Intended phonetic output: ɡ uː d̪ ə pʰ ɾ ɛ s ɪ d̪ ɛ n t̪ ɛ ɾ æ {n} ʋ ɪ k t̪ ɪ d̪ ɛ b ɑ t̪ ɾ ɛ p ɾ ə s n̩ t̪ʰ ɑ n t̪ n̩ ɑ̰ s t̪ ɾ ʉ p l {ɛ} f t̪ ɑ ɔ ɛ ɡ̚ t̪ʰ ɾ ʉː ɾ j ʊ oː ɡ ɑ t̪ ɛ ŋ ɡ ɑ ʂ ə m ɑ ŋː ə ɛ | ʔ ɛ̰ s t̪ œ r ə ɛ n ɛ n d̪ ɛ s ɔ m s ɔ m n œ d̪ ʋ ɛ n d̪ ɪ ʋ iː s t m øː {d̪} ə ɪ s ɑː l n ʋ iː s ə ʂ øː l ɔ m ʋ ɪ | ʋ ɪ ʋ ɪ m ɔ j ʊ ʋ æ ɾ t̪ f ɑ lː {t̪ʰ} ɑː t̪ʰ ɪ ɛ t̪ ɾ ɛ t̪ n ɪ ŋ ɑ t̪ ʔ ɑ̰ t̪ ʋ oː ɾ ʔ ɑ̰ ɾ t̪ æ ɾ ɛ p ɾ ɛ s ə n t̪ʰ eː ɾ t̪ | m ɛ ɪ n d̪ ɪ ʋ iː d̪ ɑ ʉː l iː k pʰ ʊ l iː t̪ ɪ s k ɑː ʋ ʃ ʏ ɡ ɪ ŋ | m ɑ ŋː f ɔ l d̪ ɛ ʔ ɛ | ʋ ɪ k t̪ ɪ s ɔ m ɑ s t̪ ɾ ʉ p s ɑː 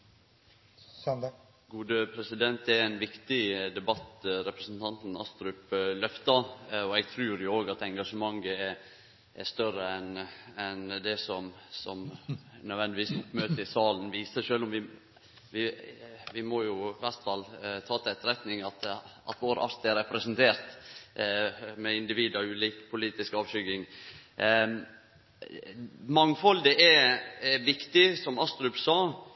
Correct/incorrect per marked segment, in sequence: correct, incorrect: œ, incorrect: t̪, correct

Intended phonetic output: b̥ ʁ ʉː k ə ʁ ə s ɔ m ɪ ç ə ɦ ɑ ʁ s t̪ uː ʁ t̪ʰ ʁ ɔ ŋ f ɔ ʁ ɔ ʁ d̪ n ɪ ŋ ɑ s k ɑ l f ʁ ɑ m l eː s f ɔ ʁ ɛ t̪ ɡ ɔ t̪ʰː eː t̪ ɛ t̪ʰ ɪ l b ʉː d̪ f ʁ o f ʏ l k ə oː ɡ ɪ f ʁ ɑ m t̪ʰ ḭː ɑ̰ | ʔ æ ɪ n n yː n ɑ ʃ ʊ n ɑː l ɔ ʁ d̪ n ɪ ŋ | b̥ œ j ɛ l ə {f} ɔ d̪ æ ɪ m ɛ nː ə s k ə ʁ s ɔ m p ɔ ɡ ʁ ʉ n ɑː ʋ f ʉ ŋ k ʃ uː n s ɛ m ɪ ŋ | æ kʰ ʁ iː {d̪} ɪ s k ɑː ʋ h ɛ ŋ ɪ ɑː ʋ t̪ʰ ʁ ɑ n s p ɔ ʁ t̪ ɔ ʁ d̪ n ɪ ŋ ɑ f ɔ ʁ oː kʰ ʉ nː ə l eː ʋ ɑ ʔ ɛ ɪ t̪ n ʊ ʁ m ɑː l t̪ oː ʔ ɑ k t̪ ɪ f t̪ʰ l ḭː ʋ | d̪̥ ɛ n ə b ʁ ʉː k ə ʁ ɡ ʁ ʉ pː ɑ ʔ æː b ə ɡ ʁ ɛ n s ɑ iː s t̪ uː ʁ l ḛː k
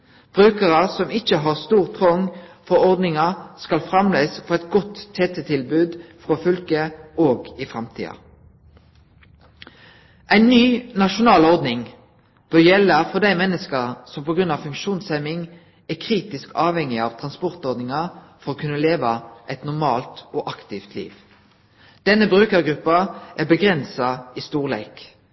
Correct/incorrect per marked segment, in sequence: correct, incorrect: t̪

